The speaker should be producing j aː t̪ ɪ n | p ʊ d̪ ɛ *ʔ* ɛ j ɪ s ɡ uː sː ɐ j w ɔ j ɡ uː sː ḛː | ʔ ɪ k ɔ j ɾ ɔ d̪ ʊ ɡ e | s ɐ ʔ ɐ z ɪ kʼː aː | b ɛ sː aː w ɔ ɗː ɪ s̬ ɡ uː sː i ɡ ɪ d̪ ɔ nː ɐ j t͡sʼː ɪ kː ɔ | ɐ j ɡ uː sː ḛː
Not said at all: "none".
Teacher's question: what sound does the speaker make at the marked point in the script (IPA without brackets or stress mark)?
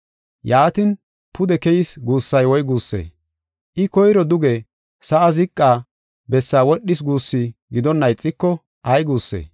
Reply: k